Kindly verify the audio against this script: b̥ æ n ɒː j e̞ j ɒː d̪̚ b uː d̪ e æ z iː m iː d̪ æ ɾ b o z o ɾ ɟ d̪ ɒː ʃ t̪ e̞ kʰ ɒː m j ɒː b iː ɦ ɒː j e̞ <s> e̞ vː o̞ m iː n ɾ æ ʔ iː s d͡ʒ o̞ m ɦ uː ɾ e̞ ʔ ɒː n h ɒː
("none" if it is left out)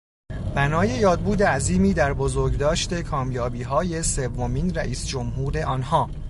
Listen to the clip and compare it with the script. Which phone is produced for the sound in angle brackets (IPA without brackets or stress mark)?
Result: s